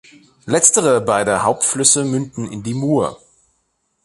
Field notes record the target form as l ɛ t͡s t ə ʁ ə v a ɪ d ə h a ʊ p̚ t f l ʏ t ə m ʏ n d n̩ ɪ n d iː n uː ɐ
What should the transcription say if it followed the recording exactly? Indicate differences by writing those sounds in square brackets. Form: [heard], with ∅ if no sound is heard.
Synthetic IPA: l ɛ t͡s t ə ʁ ə [b] a ɪ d ə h a ʊ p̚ t f l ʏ [s] ə m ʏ n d n̩ ɪ n d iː [m] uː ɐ